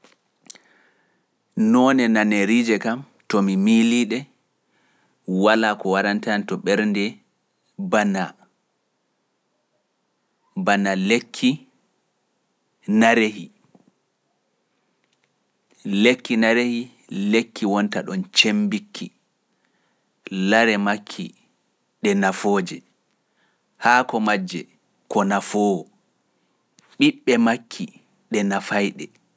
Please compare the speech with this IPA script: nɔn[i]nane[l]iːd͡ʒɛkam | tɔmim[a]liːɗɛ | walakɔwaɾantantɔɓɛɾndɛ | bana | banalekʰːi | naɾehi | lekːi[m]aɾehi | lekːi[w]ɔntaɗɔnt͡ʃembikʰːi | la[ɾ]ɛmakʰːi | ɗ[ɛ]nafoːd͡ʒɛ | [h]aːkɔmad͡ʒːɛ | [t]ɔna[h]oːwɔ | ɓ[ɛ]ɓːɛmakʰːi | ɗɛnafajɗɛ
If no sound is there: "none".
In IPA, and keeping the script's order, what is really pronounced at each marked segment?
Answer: ɛ, ɾ, i, n, w, ɾ, ɛ, h, k, f, i

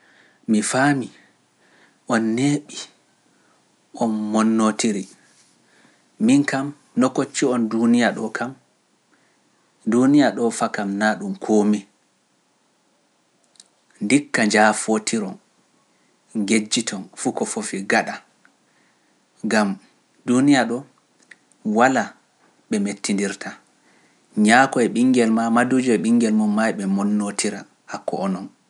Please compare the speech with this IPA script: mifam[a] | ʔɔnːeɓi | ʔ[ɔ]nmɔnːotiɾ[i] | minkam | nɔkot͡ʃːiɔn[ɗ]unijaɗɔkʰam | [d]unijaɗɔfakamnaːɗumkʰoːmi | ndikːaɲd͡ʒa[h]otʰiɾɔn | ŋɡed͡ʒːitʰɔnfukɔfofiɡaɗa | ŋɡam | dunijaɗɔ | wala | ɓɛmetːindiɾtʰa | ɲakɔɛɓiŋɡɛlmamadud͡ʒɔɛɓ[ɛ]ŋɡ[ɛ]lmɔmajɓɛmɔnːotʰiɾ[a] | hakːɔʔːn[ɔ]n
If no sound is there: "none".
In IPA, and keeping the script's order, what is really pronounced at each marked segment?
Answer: i, ɔ, i, d, d, f, i, ɛ, a, ɔ

